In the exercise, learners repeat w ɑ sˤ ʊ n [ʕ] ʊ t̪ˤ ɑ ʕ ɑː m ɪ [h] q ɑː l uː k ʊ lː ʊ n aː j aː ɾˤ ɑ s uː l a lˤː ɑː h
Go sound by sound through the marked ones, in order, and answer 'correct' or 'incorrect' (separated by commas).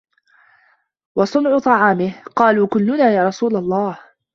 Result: correct, correct